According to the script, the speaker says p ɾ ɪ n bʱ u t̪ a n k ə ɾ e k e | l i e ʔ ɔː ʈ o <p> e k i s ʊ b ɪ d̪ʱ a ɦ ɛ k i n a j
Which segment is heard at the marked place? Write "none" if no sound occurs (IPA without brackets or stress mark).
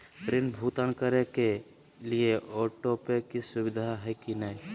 p